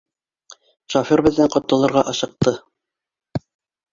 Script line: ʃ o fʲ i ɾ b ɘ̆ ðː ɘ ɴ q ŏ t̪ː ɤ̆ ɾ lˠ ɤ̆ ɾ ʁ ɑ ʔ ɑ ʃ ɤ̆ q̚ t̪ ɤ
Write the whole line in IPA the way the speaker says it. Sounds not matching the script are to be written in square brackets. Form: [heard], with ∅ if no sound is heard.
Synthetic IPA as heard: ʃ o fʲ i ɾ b ɘ̆ ðː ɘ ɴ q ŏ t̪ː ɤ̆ [∅] lˠ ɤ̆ ɾ ʁ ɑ ʔ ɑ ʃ ɤ̆ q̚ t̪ ɤ